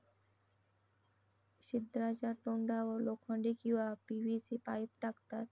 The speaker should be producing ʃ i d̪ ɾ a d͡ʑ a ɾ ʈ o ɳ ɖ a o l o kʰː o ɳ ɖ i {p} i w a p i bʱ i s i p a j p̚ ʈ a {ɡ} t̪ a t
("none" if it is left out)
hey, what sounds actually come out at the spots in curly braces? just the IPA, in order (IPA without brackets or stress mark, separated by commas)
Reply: k, k